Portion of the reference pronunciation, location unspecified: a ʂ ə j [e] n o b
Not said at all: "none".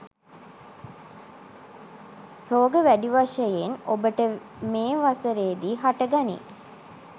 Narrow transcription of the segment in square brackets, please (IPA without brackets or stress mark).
e